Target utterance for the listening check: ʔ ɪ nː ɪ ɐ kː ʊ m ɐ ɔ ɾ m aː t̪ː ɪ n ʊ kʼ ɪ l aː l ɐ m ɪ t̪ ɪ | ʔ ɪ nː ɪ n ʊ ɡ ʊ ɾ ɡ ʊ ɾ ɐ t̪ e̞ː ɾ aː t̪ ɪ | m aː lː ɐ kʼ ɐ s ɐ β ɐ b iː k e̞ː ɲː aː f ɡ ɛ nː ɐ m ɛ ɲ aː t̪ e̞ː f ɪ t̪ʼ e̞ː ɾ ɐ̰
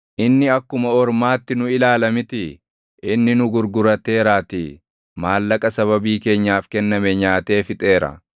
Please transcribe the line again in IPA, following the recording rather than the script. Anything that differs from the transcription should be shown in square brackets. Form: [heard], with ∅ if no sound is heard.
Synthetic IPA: ʔ ɪ nː ɪ ɐ kː ʊ m ɐ ɔ ɾ m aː t̪ː ɪ n ʊ [∅] ɪ l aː l ɐ m ɪ t̪ ɪ | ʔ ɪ nː ɪ n ʊ ɡ ʊ ɾ ɡ ʊ ɾ ɐ t̪ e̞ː ɾ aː t̪ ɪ | m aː lː ɐ kʼ ɐ s ɐ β ɐ b iː k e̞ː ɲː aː f [k] ɛ nː ɐ m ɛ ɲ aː t̪ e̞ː f ɪ t̪ʼ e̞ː ɾ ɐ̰

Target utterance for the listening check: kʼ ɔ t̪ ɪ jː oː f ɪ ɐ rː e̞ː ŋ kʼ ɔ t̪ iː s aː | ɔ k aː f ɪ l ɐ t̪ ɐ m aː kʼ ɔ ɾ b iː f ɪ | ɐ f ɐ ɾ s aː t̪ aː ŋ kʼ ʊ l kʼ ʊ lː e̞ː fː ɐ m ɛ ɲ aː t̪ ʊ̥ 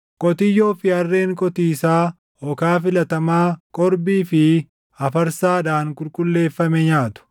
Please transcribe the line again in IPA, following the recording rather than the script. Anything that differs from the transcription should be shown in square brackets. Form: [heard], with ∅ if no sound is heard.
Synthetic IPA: kʼ ɔ t̪ ɪ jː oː f ɪ ɐ rː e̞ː ŋ kʼ ɔ t̪ iː s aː | ɔ k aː f ɪ l ɐ t̪ ɐ m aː kʼ ɔ ɾ b iː f ɪ | ɐ f ɐ ɾ s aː [d̪] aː ŋ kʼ ʊ l kʼ ʊ lː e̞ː fː ɐ m ɛ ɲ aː t̪ ʊ̥

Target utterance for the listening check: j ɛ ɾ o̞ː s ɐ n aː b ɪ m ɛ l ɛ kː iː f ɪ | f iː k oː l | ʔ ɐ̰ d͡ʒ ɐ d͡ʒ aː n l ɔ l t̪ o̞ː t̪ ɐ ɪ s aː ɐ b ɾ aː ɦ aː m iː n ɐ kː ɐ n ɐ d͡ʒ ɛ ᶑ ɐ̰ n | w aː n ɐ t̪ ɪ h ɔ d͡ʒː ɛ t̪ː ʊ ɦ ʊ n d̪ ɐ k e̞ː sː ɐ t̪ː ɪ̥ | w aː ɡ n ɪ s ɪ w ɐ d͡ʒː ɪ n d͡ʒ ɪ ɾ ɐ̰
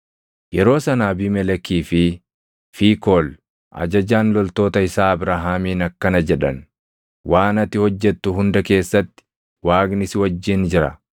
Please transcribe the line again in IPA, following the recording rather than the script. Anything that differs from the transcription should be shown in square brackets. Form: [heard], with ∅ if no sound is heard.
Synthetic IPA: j ɛ ɾ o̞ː s ɐ n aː b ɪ m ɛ l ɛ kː iː f ɪ | f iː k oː l | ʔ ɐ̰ d͡ʒ ɐ d͡ʒ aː n l ɔ l t̪ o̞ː t̪ ɐ ɪ s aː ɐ b ɾ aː ɦ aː m iː n ɐ kː ɐ n ɐ d͡ʒ ɛ ᶑ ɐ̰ n | w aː n ɐ t̪ ɪ h ɔ d͡ʒː ɛ t̪ː ʊ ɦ ʊ n d̪ ɐ k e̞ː sː ɐ t̪ː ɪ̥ | w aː ɡ n ɪ s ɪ w ɐ d͡ʒː ɪ n d͡ʒ ɪ ɾ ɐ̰

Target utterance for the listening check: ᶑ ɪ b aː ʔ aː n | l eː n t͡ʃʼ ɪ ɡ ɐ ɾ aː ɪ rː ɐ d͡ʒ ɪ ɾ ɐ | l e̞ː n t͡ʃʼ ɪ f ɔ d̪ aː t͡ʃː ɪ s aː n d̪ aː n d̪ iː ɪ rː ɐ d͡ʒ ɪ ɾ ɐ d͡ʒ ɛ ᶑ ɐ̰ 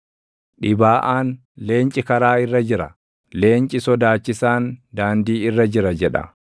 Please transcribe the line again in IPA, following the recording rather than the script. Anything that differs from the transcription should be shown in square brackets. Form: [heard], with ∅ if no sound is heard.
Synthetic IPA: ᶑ ɪ b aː ʔ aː n | l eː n t͡ʃʼ ɪ [k] ɐ ɾ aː ɪ rː ɐ d͡ʒ ɪ ɾ ɐ | l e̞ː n t͡ʃʼ ɪ [s] ɔ d̪ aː t͡ʃː ɪ s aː n d̪ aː n d̪ iː ɪ rː ɐ d͡ʒ ɪ ɾ ɐ d͡ʒ ɛ ᶑ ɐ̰

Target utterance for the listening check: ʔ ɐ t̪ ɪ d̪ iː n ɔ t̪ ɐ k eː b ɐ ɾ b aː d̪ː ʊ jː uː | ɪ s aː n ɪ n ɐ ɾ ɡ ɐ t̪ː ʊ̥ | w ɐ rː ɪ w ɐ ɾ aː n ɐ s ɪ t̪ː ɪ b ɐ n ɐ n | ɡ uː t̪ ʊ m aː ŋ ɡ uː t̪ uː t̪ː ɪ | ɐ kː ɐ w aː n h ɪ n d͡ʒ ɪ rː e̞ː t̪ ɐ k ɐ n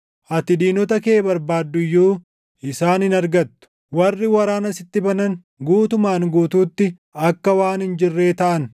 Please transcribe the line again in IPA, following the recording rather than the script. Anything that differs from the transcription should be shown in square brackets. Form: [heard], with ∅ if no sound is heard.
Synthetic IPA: ʔ ɐ t̪ ɪ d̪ iː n ɔ t̪ ɐ k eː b ɐ ɾ b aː d̪ː ʊ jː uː | ɪ s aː n ɪ n ɐ ɾ ɡ ɐ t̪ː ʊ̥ | w ɐ rː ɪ w ɐ ɾ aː n ɐ s ɪ t̪ː ɪ b ɐ n ɐ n | ɡ uː t̪ ʊ m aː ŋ ɡ uː t̪ uː t̪ː ɪ | ɐ kː ɐ w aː n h ɪ n d͡ʒ ɪ rː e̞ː t̪ ɐ [ʔ] ɐ n

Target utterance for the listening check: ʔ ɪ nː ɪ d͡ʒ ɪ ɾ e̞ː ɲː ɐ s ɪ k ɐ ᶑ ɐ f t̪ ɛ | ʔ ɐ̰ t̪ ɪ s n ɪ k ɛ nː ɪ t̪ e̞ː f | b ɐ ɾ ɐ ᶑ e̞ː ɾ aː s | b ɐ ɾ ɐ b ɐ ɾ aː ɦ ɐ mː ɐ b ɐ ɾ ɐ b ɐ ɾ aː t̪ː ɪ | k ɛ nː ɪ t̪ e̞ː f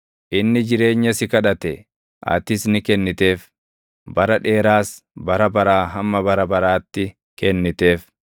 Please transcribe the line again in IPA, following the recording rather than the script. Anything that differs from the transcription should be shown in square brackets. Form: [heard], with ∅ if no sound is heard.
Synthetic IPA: ʔ ɪ nː ɪ d͡ʒ ɪ ɾ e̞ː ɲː ɐ s ɪ k ɐ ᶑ ɐ [∅] t̪ ɛ | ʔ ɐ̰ t̪ ɪ s n ɪ k ɛ nː ɪ t̪ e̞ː f | b ɐ ɾ ɐ ᶑ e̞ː ɾ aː s | b ɐ ɾ ɐ b ɐ ɾ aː ɦ ɐ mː ɐ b ɐ ɾ ɐ b ɐ ɾ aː t̪ː ɪ | k ɛ nː ɪ t̪ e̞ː f

